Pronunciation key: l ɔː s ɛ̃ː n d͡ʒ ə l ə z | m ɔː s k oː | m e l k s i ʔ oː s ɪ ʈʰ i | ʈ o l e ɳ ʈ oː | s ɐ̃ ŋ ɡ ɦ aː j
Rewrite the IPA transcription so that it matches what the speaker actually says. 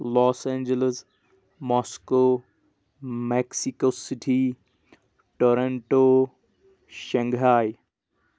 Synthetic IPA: l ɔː s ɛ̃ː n d͡ʒ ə l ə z | m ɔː s k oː | m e k s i k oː s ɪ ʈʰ i | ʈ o ɾ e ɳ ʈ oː | ʃ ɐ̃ ŋ ɡ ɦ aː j

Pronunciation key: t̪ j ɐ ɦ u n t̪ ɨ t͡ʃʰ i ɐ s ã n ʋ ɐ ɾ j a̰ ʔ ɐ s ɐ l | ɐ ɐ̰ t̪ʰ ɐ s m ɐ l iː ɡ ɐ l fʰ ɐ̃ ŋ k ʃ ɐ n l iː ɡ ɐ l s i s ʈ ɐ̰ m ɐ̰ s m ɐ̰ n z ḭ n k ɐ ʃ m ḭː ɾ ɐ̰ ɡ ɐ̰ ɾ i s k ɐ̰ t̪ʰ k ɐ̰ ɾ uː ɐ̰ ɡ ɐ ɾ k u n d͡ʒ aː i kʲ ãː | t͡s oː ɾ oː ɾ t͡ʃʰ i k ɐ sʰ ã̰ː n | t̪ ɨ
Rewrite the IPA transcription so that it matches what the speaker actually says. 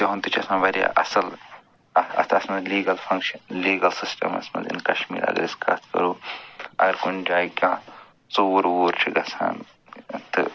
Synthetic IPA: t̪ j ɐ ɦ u n t̪ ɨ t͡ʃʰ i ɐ s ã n ʋ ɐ ɾ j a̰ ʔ ɐ s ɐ l | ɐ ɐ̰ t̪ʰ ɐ s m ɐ l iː ɡ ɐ l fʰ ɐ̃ ŋ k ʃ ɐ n l iː ɡ ɐ l s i s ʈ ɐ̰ m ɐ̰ s m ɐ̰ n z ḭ n k ɐ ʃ m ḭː ɾ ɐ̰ ɡ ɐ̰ ɾ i s k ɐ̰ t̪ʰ k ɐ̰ ɾ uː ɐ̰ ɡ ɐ ɾ k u n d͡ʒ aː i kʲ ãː | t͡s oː ɾ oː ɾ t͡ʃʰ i ɡ ɐ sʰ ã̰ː n | t̪ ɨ

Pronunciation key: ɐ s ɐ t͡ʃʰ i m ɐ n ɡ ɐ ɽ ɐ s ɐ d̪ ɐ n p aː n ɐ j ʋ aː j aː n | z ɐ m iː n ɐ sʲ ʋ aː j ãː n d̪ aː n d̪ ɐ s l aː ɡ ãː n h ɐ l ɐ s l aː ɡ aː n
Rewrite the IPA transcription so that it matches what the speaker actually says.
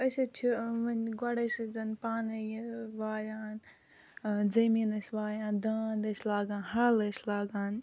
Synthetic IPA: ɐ s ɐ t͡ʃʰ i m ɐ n ɡ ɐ ɽ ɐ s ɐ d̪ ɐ n p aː n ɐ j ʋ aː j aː n | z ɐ m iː n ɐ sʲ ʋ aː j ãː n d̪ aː n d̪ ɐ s l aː ɡ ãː n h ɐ l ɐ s l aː ɡ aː n

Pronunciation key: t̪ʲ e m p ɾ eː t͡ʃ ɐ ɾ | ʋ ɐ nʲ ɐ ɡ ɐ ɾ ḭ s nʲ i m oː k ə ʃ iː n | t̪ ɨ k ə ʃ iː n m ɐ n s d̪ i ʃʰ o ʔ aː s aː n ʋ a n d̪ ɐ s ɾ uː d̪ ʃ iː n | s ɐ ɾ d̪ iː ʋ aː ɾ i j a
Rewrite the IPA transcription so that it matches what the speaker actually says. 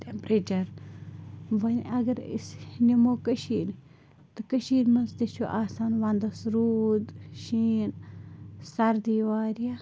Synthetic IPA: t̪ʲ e m p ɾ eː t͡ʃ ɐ ɾ | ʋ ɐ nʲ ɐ ɡ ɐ ɾ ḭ s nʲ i m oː k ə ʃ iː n | t̪ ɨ k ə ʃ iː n m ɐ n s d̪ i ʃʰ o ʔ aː s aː n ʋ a n d̪ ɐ s ɾ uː d̪ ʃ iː n | s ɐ ɾ d̪ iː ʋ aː ɾ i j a

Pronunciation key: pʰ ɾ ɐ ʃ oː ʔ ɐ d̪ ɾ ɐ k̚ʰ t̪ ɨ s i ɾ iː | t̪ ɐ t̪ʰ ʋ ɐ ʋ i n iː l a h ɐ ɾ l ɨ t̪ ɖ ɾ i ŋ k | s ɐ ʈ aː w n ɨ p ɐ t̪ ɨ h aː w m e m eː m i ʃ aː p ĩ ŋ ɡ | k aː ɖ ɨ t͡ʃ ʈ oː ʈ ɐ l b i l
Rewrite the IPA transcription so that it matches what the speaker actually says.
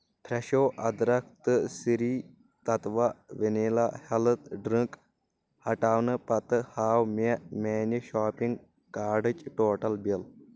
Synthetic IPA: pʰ ɾ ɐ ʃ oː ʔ ɐ d̪ ɾ ɐ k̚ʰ t̪ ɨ s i ɾ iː | t̪ ɐ t̪ ʋ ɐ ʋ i n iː l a h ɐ l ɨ t̪ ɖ ɾ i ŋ k | h ɐ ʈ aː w n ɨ p ɐ t̪ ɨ h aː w m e m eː n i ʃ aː p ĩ ŋ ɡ | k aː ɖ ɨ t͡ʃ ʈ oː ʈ ɐ l b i l

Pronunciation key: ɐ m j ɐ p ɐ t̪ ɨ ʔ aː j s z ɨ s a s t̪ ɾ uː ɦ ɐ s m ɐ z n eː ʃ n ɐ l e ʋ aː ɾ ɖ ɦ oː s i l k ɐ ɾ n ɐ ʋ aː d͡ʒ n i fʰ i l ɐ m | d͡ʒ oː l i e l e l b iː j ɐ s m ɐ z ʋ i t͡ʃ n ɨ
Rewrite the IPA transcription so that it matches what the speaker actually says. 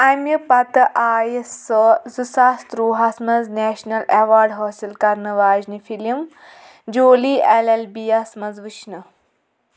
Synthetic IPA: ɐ m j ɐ p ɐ t̪ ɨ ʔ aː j s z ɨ s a s t̪ ɾ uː ɦ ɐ s m ɐ z n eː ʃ n ɐ l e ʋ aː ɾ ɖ ɦ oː s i l k ɐ ɾ n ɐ ʋ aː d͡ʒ n i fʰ i l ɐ m | d͡ʒ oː l i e l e l b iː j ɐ s m ɐ z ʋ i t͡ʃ n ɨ

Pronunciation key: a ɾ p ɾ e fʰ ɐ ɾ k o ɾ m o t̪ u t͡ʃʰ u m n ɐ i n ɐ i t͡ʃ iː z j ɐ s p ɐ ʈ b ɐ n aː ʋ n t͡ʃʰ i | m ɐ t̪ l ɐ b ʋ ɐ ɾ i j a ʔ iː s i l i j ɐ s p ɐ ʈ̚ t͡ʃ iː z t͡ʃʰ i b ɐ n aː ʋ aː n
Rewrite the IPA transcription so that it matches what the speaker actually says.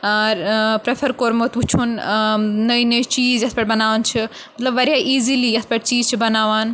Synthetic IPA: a ɾ p ɾ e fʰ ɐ ɾ k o ɾ m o t̪ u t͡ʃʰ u n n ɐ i n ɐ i t͡ʃ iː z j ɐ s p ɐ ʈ b ɐ n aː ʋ n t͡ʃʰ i | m ɐ t̪ l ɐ b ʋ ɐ ɾ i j a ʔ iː z i l i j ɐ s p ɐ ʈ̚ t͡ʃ iː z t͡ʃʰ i b ɐ n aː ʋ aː n

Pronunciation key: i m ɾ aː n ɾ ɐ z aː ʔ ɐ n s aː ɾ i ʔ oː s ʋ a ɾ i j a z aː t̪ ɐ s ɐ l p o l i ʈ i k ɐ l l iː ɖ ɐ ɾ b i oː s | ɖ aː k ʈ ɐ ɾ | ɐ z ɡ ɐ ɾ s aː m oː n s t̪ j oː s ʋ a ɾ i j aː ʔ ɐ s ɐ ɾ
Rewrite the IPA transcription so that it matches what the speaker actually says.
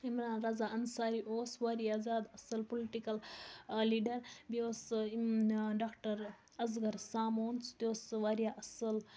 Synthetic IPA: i m ɾ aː n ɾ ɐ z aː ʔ ɐ n s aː ɾ i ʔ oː s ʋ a ɾ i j a z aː d̪ ɐ s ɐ l p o l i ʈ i k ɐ l l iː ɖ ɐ ɾ b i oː s | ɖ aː k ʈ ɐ ɾ | ɐ z ɡ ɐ ɾ s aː m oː n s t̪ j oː s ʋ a ɾ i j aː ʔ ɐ s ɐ l

